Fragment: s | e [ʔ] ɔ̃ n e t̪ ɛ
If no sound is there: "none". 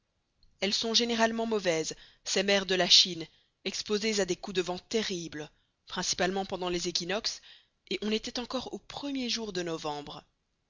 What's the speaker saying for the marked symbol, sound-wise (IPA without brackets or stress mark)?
ʔ